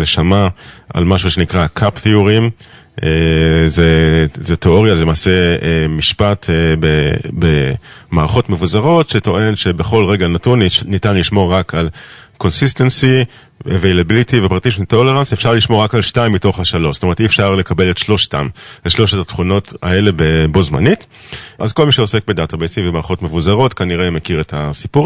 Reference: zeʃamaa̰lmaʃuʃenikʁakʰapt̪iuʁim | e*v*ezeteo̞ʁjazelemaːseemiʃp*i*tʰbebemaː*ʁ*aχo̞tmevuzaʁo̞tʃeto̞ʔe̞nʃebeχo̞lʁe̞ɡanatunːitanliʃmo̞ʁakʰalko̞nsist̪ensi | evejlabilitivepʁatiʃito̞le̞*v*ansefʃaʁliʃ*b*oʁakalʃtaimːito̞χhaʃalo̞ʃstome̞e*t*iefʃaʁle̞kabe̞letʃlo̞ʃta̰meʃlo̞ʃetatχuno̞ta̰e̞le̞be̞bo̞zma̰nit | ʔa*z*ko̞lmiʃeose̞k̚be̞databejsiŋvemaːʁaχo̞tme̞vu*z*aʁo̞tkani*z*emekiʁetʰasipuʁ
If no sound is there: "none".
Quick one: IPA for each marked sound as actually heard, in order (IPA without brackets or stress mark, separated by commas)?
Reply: z, a, ʁ, ʁ, m, t, z, z, ʁ